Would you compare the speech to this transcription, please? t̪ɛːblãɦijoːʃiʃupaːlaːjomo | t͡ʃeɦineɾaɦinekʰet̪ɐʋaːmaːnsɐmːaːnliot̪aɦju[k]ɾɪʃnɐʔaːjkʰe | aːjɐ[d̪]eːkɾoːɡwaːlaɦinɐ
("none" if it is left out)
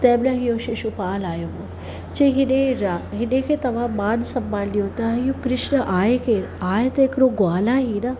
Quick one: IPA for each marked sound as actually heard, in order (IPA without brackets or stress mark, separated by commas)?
k, t̪